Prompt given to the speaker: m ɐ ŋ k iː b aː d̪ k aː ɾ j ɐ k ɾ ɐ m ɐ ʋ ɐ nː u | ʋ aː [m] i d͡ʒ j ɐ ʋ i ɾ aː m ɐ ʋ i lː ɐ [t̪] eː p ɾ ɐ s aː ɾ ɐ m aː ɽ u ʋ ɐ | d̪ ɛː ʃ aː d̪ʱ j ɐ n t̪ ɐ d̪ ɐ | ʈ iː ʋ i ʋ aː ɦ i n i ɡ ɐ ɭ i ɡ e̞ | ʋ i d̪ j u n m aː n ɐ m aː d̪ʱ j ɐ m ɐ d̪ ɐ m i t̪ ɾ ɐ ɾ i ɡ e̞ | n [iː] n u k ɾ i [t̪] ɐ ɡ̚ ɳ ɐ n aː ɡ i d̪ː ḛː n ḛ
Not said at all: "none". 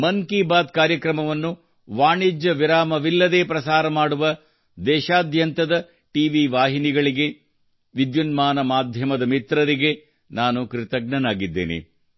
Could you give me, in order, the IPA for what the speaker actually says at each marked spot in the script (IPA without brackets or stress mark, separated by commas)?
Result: ɳ, d̪, aː, t̪